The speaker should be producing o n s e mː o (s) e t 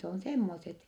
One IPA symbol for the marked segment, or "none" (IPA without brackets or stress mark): s